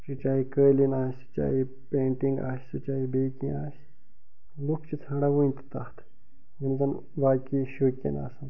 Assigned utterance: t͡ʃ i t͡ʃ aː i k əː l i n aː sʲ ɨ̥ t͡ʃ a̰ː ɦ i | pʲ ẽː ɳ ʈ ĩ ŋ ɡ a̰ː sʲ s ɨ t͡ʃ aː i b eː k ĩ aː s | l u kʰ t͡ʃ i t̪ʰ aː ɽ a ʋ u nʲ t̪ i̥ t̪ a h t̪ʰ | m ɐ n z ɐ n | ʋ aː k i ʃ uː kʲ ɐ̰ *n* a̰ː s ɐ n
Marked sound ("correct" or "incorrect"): correct